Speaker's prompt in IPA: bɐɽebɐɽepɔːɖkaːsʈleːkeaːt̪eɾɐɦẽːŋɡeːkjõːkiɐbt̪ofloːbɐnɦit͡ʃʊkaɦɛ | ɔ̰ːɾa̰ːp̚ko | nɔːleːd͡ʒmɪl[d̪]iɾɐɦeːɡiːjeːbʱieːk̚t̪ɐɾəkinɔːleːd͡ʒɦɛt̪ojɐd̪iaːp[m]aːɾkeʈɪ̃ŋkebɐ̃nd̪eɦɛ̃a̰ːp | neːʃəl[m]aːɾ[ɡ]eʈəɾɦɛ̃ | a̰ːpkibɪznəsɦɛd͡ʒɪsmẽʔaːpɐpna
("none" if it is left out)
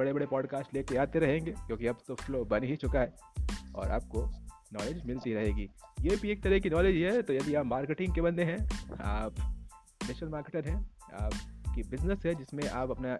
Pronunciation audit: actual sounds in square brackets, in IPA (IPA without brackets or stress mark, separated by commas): t̪, m, m, k